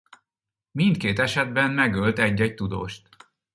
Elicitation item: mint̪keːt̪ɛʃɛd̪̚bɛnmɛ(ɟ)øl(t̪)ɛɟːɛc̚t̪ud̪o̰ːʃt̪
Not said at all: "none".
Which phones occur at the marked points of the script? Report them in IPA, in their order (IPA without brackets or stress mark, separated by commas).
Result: ɡ, t̪